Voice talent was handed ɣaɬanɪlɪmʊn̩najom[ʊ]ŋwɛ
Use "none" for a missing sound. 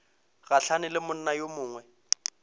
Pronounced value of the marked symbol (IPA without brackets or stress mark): ʊː